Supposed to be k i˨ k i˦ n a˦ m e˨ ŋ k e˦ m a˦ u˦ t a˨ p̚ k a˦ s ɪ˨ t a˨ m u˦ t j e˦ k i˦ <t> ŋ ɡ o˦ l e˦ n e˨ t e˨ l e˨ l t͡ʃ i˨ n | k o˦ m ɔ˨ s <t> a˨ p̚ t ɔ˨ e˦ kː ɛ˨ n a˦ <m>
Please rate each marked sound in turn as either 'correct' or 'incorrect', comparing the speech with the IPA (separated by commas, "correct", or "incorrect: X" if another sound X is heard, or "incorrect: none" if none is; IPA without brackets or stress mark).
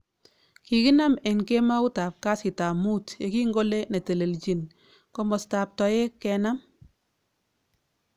incorrect: none, correct, correct